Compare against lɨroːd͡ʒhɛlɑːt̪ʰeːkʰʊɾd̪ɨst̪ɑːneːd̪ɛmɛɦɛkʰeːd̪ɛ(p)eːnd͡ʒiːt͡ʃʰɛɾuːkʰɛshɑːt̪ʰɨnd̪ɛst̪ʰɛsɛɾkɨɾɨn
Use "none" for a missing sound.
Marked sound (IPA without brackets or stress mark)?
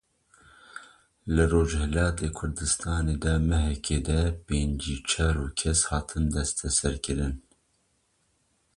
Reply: p